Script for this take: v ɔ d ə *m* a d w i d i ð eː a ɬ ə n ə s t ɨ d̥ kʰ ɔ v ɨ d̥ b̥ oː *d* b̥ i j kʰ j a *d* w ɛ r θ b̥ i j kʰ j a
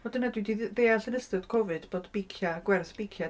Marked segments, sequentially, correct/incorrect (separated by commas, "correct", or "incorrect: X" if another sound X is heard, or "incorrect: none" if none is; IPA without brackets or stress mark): incorrect: n, correct, incorrect: ɡ